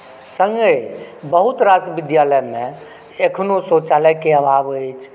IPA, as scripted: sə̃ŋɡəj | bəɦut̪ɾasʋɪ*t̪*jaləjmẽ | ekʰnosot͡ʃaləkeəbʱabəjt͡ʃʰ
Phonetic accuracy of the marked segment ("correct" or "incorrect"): incorrect